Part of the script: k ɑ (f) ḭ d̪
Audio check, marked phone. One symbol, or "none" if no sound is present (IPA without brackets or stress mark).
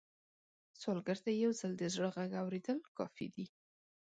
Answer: f